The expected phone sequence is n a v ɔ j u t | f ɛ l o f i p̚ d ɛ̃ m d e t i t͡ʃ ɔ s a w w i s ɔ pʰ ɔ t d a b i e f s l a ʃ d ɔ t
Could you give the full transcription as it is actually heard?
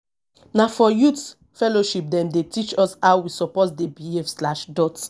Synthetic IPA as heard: n a f ɔ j u t | f ɛ l o ʃ i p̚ d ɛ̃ m d e t i t͡ʃ ɔ s a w w i s ɔ p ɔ t d e b i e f s l a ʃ d ɔ t